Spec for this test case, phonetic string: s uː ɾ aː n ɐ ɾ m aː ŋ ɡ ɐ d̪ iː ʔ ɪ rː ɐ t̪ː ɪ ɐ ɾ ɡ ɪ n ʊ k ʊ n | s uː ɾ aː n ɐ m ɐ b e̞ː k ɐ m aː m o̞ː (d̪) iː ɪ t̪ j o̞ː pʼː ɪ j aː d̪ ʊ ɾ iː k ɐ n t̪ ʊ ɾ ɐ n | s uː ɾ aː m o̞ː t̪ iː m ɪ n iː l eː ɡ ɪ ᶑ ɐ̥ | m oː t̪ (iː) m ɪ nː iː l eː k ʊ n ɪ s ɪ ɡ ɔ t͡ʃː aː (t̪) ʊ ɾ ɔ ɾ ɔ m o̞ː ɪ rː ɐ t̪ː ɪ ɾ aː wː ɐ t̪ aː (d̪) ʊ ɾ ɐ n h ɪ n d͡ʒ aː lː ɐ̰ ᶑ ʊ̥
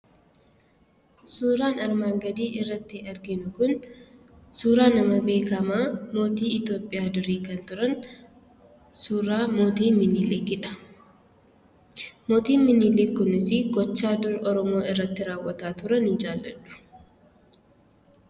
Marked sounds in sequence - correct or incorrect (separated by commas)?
incorrect, correct, incorrect, incorrect